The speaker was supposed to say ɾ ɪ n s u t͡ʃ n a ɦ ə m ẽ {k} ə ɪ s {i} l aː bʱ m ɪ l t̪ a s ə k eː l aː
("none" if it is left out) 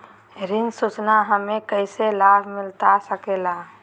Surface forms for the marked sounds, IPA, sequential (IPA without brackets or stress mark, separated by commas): k, e